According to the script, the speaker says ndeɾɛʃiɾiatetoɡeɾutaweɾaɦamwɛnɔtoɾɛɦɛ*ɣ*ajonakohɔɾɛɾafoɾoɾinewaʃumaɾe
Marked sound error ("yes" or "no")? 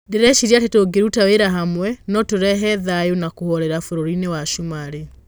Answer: yes